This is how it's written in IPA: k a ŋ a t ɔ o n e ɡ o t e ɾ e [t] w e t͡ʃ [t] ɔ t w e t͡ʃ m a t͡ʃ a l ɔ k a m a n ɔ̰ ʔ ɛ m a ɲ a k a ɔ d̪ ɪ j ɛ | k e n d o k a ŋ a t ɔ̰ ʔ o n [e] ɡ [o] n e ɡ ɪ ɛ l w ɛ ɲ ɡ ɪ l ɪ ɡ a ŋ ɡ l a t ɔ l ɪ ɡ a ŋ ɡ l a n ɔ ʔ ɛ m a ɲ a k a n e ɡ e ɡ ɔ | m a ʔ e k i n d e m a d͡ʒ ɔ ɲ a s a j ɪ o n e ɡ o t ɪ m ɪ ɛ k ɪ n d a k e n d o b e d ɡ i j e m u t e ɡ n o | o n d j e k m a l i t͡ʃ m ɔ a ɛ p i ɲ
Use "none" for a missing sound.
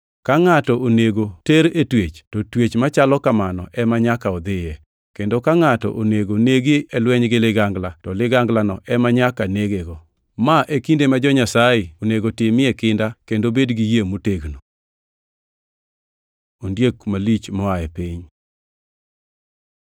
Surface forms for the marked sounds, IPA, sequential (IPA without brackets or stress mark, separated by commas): t, t, e, o